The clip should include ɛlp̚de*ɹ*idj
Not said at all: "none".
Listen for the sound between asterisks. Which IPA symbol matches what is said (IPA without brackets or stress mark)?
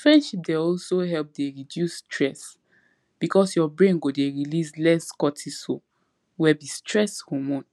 ɹ